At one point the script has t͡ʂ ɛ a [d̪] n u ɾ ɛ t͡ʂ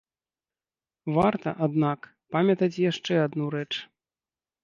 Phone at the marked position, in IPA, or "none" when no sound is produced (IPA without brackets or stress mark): d̪